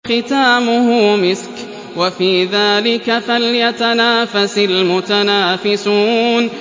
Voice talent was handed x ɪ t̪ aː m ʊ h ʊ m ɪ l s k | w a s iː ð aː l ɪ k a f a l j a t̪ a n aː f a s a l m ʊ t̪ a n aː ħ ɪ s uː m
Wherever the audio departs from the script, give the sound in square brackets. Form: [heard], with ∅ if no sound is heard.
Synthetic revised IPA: x ɪ t̪ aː m ʊ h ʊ m ɪ [∅] s k | w a [f] iː ð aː l ɪ k a f a l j a t̪ a n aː f a s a l m ʊ t̪ a n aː [f] ɪ s uː [n]